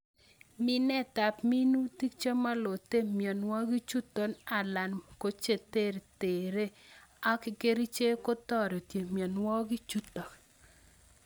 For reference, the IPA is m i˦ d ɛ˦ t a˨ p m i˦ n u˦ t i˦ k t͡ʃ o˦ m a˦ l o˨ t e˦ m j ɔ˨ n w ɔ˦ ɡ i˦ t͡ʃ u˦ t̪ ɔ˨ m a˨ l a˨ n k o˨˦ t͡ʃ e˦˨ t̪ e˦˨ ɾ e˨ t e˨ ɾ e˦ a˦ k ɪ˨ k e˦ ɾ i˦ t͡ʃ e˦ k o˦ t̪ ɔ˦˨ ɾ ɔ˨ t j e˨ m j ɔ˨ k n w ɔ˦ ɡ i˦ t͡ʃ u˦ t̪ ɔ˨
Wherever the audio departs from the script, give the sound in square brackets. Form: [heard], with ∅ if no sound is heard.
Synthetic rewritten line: m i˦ [n] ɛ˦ t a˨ p m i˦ n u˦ t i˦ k t͡ʃ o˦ m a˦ l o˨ t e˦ m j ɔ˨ n w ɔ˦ ɡ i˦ t͡ʃ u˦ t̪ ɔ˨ [n] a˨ l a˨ n k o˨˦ t͡ʃ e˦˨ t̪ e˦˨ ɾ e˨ t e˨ ɾ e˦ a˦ k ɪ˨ k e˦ ɾ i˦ t͡ʃ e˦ k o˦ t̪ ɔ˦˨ ɾ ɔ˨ t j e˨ m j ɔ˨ [∅] n w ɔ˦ ɡ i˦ t͡ʃ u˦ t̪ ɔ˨